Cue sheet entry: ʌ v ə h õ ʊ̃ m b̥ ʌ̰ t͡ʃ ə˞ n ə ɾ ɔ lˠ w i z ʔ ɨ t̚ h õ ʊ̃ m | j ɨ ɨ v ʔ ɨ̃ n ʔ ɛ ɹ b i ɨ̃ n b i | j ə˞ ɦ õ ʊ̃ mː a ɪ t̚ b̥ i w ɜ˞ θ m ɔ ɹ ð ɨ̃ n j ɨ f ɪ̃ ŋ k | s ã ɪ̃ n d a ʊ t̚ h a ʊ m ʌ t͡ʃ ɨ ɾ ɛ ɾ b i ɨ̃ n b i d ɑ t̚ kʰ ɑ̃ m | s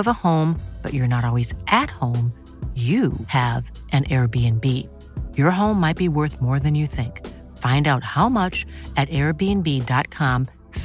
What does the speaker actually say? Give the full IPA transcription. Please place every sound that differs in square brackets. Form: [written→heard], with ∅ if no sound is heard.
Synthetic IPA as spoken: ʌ v ə h õ ʊ̃ m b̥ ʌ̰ t͡ʃ ə˞ n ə ɾ ɔ lˠ w i z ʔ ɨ t̚ h õ ʊ̃ m | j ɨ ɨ v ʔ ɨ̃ n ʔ ɛ ɹ b i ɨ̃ n b i | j ə˞ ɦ õ ʊ̃ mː a ɪ t̚ b̥ i w ɜ˞ θ m ɔ ɹ ð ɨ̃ n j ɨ [f→θ] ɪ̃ ŋ k | [s→f] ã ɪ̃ n d a ʊ t̚ h a ʊ m ʌ t͡ʃ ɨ ɾ ɛ [ɾ→ɹ] b i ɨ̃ n b i d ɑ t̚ kʰ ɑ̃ m | s